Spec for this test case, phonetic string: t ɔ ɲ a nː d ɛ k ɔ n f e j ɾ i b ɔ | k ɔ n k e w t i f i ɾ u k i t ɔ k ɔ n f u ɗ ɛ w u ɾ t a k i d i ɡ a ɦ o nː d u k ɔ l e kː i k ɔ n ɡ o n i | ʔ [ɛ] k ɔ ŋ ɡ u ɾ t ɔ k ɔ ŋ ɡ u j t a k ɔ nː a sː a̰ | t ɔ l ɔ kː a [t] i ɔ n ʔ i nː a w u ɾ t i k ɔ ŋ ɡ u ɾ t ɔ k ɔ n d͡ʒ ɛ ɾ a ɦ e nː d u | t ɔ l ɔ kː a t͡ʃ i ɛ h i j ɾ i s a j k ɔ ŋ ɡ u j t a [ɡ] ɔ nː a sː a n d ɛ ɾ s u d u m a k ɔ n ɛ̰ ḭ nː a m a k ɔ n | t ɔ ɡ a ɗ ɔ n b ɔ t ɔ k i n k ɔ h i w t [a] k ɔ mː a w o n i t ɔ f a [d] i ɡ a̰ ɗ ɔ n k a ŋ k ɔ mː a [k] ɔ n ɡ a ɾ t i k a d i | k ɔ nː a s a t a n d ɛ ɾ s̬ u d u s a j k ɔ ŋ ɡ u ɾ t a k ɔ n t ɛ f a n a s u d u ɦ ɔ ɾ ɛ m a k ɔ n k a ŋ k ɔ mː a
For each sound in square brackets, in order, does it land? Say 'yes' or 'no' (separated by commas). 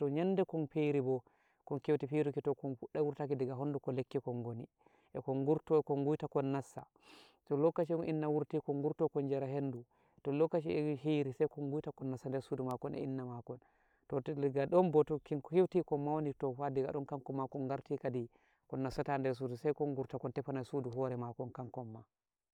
yes, no, no, no, yes, yes